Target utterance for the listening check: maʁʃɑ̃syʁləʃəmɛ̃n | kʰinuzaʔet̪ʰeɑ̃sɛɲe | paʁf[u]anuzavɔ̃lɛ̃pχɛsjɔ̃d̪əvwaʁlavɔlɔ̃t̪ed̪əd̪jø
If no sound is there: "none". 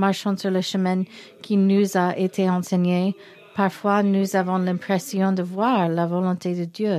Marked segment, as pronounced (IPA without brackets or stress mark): w